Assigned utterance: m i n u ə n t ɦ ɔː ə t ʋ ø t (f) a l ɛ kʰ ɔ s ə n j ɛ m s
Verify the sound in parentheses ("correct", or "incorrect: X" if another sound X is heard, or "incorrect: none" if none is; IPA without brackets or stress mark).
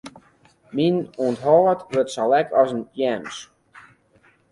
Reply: incorrect: s